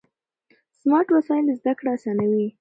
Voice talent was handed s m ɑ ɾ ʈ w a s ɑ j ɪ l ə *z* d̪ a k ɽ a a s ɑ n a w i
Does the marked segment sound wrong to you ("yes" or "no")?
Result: no